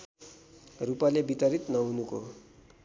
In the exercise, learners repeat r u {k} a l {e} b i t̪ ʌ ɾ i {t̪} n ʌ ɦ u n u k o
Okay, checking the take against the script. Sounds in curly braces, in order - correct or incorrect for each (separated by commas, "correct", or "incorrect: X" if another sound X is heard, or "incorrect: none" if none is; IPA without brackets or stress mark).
incorrect: p, correct, correct